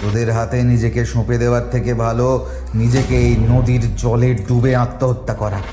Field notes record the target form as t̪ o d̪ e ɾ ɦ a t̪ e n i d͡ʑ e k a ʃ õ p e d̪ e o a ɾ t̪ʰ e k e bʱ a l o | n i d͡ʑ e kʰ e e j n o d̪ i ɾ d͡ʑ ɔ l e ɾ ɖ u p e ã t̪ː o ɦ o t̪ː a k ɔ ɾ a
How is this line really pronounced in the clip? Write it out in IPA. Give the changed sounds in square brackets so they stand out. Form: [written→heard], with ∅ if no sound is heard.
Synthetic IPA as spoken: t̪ o d̪ e ɾ ɦ a t̪ e n i d͡ʑ e k [a→e] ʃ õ p e d̪ e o a ɾ t̪ʰ e k e bʱ a l o | n i d͡ʑ e [kʰ→k] e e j n o d̪ i ɾ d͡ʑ ɔ l e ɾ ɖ u [p→b] e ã t̪ː o ɦ o t̪ː a k ɔ ɾ a